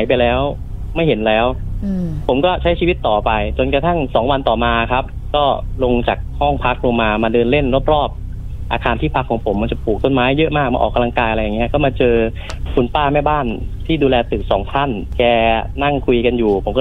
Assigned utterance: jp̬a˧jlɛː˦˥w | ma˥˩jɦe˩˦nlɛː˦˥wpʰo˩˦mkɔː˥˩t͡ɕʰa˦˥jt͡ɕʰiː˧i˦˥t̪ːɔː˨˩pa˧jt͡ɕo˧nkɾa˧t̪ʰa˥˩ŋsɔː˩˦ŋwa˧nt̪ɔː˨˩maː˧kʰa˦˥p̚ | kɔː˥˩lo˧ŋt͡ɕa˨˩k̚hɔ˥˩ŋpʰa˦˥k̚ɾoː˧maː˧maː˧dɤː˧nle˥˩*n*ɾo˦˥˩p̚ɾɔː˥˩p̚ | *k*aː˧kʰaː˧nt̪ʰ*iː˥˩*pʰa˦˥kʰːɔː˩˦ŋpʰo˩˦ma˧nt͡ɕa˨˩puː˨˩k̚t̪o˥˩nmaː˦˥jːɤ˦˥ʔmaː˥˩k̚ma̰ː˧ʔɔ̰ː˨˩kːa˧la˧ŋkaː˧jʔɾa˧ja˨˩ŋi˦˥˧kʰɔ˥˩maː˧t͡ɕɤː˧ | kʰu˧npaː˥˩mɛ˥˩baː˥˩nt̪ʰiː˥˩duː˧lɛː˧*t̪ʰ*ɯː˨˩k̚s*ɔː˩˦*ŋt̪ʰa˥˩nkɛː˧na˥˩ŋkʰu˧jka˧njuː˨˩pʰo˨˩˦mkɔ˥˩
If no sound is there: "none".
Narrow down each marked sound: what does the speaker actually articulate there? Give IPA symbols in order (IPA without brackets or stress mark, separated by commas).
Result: n, ʔ, iː˥˩, t̪, ɔː˩˦